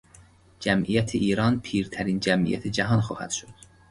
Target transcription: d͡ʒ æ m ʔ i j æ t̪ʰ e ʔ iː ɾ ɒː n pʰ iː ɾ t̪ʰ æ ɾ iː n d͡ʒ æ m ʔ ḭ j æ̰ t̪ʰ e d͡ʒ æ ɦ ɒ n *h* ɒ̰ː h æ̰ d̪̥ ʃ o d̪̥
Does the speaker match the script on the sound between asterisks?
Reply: no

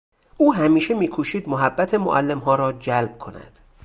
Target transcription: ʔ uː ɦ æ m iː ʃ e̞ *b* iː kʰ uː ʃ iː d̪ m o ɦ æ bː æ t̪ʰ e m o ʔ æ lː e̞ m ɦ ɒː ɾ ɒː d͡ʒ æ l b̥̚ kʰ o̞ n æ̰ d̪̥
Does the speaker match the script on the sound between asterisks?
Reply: no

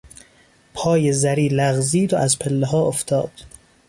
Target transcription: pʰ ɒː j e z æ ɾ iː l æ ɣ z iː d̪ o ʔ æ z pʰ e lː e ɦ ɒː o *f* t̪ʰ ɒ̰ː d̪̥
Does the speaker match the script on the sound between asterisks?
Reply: yes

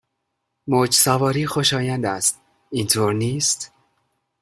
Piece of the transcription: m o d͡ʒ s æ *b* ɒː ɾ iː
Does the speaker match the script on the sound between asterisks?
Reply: no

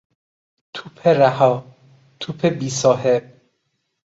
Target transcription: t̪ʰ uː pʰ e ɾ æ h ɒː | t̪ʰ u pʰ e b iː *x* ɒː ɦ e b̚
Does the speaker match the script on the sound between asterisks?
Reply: no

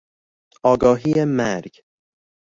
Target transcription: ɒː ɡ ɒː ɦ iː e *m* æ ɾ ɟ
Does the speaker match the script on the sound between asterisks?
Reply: yes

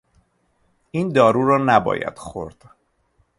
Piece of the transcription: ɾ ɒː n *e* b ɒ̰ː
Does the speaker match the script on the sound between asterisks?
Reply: no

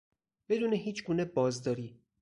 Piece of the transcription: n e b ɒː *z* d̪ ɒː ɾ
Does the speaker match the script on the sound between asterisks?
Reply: yes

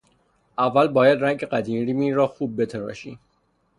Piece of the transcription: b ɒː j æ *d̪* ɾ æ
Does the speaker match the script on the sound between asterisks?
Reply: yes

